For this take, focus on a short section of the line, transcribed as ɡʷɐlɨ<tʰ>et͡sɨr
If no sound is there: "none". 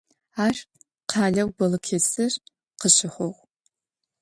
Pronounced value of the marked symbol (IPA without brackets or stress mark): kʰ